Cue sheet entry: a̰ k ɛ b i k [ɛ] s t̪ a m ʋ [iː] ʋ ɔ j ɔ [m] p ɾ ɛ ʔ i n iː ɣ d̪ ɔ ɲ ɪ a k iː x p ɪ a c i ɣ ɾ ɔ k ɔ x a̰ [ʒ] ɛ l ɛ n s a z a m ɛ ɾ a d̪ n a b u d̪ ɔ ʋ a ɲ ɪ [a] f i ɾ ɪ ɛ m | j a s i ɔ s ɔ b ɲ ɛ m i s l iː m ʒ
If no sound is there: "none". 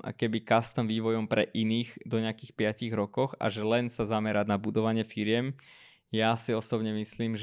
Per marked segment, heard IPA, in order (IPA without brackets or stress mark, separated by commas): a, iː, m, ʒ, ɛ